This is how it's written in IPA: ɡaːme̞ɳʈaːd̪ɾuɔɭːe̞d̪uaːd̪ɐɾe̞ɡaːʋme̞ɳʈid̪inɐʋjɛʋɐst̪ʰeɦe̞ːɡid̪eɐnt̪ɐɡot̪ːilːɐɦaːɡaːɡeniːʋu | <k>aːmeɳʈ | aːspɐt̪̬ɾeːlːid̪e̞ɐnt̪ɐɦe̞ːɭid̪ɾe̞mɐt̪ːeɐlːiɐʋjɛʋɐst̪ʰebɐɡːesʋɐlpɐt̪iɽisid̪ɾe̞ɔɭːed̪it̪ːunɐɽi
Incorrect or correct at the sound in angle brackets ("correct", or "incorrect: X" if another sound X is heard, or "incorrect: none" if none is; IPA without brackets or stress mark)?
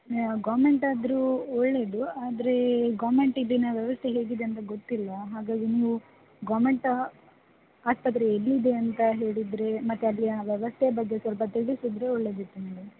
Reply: incorrect: ɡ